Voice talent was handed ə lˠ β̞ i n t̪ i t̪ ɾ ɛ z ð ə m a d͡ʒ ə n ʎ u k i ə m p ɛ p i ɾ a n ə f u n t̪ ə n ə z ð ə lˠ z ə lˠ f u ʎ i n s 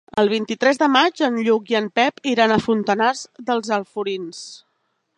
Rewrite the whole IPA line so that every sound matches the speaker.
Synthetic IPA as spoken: ə lˠ β̞ i n t̪ i t̪ ɾ ɛ z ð ə m a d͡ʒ ə n ʎ u k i ə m p ɛ p i ɾ a n ə f u n t̪ ə n a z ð ə lˠ z ə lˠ f u ɾ i n s